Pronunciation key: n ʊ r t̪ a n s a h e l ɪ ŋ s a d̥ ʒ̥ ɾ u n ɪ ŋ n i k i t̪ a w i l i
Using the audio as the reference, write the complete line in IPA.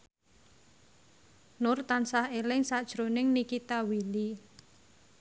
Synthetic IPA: n ʊ r t̪ a n s a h e l ɪ ŋ s a d̥ ʒ̥ ɾ o n ɪ ŋ n i k i t̪ a w i l i